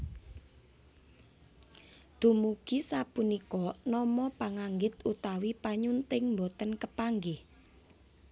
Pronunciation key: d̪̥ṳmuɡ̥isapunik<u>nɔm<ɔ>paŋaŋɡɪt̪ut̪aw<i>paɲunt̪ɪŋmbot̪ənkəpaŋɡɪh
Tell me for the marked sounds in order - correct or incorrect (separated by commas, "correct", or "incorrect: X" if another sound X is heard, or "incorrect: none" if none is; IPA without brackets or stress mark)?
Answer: incorrect: ɔ, correct, correct